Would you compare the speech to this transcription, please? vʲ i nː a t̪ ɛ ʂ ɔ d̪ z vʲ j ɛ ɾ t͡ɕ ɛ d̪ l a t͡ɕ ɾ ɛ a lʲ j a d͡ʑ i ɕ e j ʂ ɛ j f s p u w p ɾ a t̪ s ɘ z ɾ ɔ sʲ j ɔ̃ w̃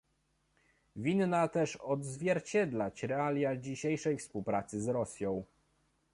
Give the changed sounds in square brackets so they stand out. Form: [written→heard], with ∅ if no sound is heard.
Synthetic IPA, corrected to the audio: vʲ i nː a t̪ ɛ ʂ ɔ d̪ z vʲ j ɛ ɾ t͡ɕ ɛ d̪ l a t͡ɕ ɾ ɛ a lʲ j a d͡ʑ i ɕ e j ʂ ɛ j f s p u w p ɾ a t̪ s ɘ z ɾ ɔ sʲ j ɔ̃ w̃